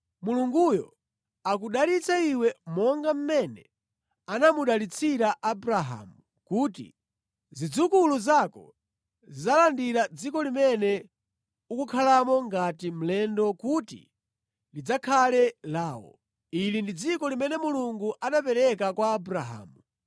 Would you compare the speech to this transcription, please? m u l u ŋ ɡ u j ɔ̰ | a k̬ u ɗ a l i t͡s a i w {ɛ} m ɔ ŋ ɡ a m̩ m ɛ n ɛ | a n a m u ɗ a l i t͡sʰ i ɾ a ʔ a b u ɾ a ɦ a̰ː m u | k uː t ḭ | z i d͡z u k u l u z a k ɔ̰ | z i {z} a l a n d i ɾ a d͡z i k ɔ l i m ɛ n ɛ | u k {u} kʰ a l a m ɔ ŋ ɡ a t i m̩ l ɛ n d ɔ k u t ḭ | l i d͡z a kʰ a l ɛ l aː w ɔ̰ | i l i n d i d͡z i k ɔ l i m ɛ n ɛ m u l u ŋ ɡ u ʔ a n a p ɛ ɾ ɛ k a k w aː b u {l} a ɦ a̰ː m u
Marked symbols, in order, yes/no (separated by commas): yes, yes, yes, no